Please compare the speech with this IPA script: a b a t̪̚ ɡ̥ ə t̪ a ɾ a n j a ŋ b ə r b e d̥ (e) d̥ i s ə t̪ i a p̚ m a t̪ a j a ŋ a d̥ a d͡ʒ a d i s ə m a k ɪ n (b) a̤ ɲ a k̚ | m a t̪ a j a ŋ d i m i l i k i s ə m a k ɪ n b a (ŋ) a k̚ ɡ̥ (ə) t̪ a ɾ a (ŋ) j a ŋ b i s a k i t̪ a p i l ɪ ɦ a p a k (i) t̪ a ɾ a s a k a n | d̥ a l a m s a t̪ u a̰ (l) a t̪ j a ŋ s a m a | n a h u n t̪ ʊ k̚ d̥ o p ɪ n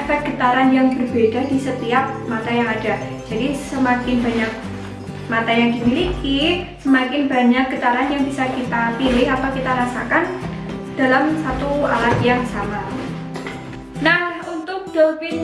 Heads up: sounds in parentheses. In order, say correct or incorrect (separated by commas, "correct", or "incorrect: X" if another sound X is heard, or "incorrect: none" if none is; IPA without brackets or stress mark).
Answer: incorrect: a, correct, incorrect: ɲ, correct, incorrect: n, correct, correct